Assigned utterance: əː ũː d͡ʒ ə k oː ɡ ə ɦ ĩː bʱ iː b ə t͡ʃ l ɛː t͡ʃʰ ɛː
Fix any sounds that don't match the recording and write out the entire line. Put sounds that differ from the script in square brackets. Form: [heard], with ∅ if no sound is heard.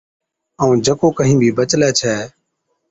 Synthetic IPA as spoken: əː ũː d͡ʒ ə k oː [k] ə ɦ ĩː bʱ iː b ə t͡ʃ l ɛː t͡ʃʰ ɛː